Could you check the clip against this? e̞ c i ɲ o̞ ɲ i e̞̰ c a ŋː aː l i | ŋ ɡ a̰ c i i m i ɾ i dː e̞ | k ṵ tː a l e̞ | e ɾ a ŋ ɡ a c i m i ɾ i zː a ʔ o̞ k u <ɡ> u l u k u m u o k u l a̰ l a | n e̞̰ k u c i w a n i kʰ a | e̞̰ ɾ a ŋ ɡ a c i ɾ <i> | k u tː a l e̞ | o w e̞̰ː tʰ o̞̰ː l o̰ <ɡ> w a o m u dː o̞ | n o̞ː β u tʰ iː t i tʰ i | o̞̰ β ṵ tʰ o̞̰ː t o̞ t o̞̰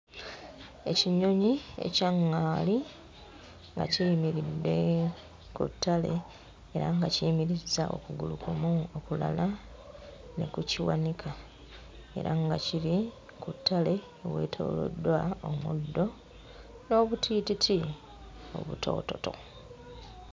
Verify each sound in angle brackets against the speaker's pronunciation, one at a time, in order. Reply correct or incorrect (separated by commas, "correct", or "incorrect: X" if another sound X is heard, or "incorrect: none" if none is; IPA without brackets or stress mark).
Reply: correct, correct, incorrect: d